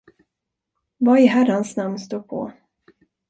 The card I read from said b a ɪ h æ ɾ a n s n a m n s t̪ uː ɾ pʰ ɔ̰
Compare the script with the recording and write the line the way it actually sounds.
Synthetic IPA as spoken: v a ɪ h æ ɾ a n s n a m n s t̪ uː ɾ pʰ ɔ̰